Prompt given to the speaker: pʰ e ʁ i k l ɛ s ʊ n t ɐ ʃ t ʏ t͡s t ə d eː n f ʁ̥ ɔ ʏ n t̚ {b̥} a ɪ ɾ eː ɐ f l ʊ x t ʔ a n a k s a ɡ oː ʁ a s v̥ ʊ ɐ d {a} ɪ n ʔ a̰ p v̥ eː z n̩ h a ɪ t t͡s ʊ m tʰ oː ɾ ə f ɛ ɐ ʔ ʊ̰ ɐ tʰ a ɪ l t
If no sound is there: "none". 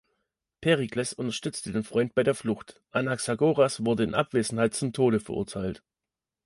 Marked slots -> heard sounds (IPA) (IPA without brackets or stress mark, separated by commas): b̥, ə